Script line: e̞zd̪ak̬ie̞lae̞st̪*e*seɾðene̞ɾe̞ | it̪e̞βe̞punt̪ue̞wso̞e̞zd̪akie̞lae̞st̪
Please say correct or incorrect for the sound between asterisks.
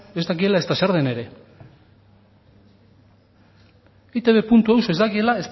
incorrect